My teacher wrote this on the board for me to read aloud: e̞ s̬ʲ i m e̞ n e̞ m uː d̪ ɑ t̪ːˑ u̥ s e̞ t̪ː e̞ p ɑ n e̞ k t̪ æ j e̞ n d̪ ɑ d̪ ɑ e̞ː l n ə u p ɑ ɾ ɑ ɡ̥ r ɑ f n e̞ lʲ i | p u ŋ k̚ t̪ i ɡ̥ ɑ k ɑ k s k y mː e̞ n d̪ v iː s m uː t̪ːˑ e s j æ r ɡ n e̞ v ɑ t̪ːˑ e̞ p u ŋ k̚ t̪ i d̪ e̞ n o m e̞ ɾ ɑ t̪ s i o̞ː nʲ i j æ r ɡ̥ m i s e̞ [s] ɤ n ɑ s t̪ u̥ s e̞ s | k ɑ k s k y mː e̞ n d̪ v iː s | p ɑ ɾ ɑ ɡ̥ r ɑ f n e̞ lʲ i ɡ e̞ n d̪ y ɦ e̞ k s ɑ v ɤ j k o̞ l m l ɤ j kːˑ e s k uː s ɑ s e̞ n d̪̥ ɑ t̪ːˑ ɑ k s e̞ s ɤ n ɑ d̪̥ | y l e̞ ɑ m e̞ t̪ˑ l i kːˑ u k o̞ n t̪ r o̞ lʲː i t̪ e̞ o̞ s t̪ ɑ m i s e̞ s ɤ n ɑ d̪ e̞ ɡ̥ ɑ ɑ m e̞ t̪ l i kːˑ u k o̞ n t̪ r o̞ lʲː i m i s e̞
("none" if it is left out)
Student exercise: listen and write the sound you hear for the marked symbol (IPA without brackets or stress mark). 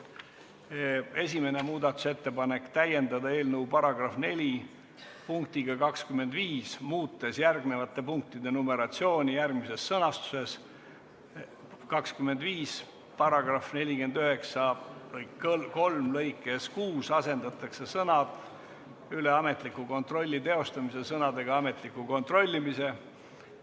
sː